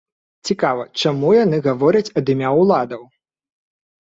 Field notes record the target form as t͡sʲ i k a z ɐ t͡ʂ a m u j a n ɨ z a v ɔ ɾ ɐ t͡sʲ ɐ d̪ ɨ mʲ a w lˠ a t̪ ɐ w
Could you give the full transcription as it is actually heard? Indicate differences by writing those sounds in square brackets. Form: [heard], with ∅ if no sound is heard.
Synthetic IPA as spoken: t͡sʲ i k a [v] ɐ t͡ʂ a m u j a n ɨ [ɣ] a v ɔ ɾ ɐ t͡sʲ ɐ d̪ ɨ mʲ a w lˠ a [d̪] ɐ w

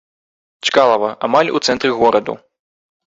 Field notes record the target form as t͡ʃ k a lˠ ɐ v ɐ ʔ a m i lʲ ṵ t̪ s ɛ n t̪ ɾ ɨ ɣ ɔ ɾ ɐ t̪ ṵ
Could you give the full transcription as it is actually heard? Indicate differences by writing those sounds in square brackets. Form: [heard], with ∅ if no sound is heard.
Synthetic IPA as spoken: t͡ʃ k a lˠ ɐ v ɐ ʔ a m [a] lʲ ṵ t̪ s ɛ n t̪ ɾ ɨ ɣ ɔ ɾ ɐ [d̪] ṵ

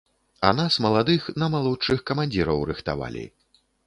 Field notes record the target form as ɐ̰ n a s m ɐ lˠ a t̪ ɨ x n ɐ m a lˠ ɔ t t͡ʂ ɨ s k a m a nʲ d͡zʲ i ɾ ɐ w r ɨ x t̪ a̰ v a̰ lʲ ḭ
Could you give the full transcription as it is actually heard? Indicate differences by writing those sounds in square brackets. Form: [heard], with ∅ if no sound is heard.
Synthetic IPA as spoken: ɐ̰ n a s m ɐ lˠ a [d̪] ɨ x n ɐ m a lˠ ɔ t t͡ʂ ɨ [x] k [ɐ] m a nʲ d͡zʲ i ɾ ɐ w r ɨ x t̪ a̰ v a̰ lʲ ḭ

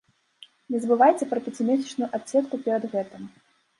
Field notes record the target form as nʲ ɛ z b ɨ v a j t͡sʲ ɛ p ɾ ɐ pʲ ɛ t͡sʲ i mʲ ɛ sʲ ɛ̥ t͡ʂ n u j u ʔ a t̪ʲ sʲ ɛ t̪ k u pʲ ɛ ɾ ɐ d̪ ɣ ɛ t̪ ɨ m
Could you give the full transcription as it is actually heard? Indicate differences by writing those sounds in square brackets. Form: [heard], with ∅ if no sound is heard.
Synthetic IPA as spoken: nʲ ɛ z b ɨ v a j t͡sʲ ɛ p ɾ ɐ pʲ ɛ t͡sʲ i mʲ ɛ sʲ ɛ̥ t͡ʂ n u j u ʔ a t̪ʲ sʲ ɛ t̪ k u pʲ ɛ ɾ ɐ d̪ ɣ ɛ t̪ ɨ m

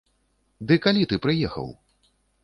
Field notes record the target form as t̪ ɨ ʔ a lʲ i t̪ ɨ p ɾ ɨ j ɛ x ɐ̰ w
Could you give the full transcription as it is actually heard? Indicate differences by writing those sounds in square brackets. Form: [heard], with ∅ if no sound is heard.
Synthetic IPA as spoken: [d̪] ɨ [k] a lʲ i t̪ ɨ p ɾ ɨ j ɛ x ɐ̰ w

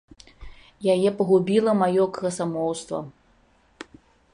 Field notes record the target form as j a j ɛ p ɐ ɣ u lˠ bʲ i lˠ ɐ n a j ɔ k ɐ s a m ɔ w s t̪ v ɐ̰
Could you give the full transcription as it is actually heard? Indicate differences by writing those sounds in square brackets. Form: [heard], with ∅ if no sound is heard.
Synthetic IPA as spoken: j a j ɛ p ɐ ɣ u [∅] bʲ i lˠ ɐ [m] a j ɔ k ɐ s a m ɔ w s t̪ v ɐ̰

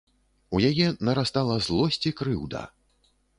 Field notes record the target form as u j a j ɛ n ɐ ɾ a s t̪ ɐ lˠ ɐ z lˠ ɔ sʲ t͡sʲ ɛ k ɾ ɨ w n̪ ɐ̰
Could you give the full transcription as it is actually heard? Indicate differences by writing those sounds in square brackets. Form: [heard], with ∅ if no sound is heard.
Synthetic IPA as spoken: u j a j ɛ n ɐ ɾ a s t̪ [a] lˠ ɐ z lˠ ɔ sʲ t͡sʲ [i] k ɾ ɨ w [d̪] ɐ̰

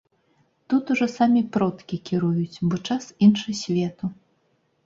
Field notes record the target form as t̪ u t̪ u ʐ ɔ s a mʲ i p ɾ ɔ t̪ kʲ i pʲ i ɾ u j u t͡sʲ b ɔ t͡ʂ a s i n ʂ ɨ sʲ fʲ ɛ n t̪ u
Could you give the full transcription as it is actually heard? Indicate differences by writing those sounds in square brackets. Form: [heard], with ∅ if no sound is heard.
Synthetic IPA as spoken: t̪ u t̪ u ʐ ɔ s a mʲ i p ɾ ɔ t̪ kʲ i [kʲ] i ɾ u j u t͡sʲ b ɔ t͡ʂ a s i n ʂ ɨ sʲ [vʲ] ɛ [∅] t̪ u

